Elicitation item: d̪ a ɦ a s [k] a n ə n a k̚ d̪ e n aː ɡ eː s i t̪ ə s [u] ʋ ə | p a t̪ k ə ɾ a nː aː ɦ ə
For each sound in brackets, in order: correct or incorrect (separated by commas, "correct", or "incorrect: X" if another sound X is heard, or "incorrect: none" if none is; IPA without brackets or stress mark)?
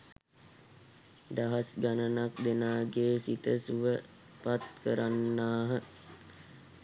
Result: incorrect: ɡ, correct